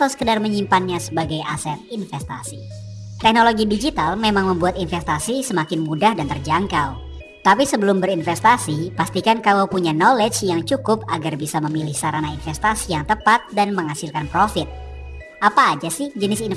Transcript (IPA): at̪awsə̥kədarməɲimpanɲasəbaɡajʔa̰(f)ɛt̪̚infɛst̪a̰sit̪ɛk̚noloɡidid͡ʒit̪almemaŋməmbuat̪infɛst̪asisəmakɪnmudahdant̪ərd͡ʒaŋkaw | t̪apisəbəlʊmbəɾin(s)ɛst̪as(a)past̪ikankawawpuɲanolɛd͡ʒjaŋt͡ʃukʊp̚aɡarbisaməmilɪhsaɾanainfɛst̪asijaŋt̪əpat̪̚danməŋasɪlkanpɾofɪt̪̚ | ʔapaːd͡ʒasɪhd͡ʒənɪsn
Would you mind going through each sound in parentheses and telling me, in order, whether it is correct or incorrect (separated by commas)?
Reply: incorrect, incorrect, incorrect